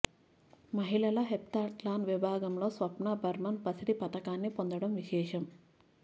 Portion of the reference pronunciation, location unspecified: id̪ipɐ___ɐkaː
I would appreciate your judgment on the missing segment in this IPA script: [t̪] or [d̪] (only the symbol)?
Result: t̪